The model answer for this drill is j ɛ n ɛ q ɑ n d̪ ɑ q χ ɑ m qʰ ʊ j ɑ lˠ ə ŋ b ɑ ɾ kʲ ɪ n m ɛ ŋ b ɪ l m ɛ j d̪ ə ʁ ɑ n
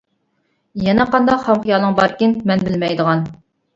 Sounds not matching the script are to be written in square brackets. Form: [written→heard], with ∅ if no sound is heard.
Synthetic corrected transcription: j ɛ n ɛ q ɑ n d̪ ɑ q χ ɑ m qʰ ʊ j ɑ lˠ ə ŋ b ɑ ɾ kʲ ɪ n m ɛ [ŋ→n] b ɪ l m ɛ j d̪ ə ʁ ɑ n